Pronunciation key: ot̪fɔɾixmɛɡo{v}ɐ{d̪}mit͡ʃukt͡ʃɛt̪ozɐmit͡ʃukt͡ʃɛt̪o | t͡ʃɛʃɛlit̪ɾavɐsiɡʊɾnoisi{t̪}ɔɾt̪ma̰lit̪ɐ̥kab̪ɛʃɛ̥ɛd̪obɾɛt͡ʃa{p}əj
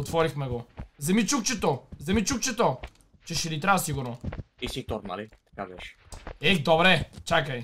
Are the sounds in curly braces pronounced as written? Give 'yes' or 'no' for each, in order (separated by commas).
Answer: no, no, yes, no